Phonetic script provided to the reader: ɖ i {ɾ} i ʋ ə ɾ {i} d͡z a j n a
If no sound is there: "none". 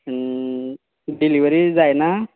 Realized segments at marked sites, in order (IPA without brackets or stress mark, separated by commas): l, i